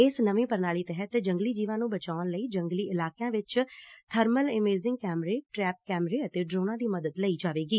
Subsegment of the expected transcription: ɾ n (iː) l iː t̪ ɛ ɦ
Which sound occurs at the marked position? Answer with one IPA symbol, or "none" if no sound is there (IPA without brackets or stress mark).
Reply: aː